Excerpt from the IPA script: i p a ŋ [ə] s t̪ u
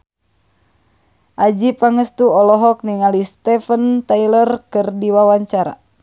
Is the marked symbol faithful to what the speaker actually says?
yes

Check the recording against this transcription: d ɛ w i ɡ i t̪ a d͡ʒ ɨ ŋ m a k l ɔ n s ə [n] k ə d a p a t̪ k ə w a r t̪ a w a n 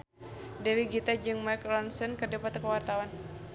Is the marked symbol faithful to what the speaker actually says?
yes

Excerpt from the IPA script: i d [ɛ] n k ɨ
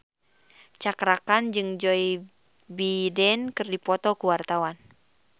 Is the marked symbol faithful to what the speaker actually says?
yes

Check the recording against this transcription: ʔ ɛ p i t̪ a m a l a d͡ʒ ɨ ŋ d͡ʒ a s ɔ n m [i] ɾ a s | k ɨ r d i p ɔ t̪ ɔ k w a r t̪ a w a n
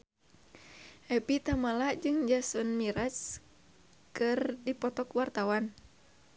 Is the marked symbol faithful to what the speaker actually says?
yes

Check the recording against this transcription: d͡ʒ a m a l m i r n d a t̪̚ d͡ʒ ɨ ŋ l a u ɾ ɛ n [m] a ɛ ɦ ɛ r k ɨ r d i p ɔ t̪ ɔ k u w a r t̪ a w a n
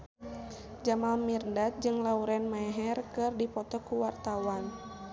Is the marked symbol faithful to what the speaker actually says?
yes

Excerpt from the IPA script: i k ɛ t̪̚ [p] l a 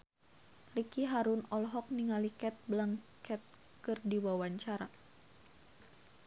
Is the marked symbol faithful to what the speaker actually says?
no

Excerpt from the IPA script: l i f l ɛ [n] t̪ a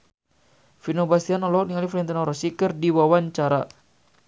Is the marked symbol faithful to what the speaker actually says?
yes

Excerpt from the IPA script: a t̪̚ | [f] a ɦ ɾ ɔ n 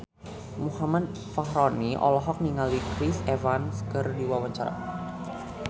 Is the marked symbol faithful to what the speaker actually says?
yes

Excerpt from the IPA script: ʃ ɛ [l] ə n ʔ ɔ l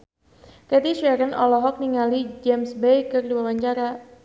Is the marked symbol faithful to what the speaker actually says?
no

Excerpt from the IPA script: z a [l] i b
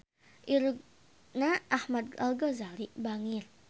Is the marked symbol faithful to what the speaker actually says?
yes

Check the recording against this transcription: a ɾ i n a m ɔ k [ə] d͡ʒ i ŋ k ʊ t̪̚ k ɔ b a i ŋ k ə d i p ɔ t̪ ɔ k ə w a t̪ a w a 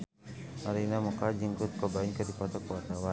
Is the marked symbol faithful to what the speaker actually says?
no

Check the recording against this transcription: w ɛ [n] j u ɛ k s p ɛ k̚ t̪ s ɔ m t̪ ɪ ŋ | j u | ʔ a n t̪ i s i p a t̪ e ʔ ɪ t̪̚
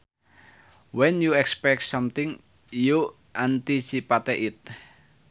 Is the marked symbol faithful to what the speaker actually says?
yes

